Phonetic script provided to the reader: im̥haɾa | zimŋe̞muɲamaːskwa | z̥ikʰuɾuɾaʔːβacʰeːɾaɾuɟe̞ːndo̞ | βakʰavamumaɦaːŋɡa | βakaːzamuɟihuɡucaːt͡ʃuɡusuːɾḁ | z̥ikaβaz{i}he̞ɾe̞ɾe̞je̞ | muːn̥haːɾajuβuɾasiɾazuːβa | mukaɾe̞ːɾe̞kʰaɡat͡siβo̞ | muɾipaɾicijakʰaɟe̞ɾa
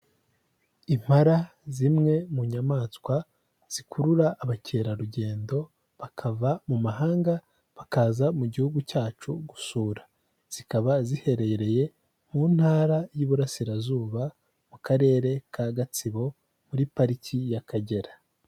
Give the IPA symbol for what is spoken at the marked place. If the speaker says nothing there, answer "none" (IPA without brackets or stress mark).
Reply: i